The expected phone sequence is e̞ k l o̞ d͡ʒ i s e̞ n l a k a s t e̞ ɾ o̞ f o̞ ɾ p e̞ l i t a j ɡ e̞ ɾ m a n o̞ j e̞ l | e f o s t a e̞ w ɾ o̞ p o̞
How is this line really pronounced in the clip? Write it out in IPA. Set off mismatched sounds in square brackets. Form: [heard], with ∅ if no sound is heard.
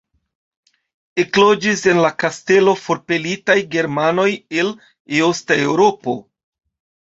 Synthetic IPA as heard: e̞ k l o̞ d͡ʒ i s e̞ n l a k a s t e̞ [l] o̞ f o̞ ɾ p e̞ l i t a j ɡ e̞ ɾ m a n o̞ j e̞ l | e [∅] o s t a e̞ w ɾ o̞ p o̞